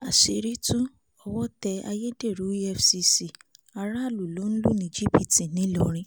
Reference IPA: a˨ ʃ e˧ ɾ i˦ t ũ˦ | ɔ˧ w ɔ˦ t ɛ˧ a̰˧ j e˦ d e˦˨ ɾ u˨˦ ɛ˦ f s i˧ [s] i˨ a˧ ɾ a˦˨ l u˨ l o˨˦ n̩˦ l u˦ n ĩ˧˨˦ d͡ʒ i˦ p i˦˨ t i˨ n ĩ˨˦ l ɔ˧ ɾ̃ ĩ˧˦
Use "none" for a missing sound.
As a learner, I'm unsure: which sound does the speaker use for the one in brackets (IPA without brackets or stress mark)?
s